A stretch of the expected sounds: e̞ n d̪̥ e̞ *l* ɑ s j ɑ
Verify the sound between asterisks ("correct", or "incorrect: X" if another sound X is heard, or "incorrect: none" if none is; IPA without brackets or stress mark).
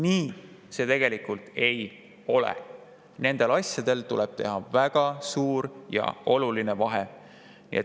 correct